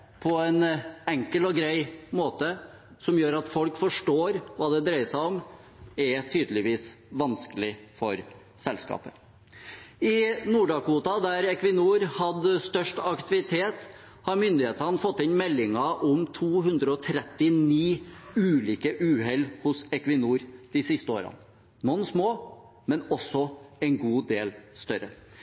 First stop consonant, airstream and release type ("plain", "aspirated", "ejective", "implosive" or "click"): aspirated